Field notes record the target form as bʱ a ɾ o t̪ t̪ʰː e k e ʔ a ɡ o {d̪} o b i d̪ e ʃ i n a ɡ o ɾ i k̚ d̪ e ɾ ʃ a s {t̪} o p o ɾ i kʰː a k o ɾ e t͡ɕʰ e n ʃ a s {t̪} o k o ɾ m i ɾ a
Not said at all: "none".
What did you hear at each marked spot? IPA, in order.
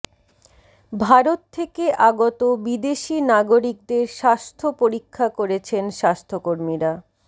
t̪, t̪ʰ, t̪ʰ

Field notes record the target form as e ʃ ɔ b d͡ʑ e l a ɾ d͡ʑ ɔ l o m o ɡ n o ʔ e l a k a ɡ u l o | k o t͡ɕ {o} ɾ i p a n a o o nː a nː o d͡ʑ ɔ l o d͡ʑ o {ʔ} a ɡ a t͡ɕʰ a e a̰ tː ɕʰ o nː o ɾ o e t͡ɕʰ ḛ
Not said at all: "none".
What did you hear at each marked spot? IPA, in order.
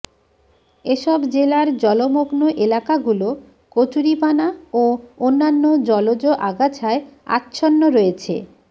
u, ʔ

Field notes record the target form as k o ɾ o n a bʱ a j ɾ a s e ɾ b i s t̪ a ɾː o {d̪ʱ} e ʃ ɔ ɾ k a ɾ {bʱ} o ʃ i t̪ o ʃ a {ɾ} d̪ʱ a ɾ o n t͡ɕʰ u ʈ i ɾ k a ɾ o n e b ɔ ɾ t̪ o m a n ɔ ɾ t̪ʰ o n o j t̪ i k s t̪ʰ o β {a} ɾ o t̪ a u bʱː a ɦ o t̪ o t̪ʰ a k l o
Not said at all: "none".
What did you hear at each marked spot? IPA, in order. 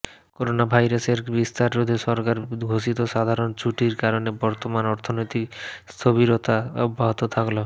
d̪ʱ, ɡʱ, none, i

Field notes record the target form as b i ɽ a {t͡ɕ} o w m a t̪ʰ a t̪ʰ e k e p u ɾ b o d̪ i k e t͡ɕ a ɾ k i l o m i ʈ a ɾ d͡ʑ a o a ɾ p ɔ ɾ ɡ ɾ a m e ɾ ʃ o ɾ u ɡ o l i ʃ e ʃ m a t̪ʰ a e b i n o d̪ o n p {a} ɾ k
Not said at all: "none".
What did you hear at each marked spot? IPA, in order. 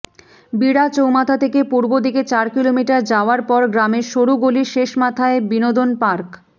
t͡ɕ, a

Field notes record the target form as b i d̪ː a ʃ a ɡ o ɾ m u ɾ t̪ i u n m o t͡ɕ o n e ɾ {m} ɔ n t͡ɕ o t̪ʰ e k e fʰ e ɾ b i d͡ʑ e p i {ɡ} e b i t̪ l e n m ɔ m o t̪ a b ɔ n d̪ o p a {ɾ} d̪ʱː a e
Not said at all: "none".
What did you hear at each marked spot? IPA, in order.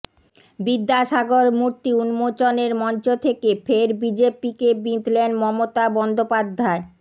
m, k, none

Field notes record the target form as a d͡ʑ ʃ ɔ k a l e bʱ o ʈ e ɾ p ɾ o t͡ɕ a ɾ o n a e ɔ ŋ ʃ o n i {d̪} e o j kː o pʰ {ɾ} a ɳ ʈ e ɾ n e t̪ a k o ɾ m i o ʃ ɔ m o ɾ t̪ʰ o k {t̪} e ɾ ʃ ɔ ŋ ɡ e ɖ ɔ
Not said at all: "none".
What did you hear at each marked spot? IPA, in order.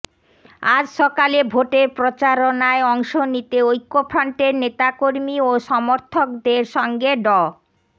t̪, ɾ, d̪

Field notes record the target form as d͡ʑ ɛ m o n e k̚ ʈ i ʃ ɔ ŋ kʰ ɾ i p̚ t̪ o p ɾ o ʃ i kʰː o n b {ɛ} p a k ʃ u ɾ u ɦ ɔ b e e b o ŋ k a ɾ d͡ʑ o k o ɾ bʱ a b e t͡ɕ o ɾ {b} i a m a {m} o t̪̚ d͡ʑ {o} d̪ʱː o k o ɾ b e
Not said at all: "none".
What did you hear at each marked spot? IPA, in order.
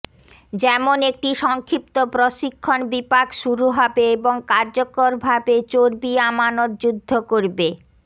i, b, n, u

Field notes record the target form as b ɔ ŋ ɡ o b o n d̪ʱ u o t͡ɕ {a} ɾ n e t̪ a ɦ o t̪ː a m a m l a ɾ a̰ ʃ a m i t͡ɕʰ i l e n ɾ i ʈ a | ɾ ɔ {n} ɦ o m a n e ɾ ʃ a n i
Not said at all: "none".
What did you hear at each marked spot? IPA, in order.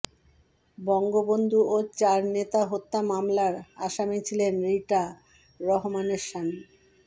a, none

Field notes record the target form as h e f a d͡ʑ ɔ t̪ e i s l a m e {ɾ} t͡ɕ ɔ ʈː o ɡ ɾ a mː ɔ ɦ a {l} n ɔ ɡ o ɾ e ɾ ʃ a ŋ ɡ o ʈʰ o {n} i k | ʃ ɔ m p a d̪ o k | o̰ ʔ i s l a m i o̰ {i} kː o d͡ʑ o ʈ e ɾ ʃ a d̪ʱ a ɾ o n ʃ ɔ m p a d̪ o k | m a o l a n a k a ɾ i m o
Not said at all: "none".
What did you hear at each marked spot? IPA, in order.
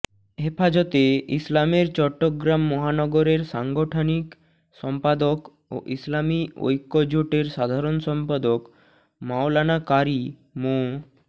ɾ, none, n, j

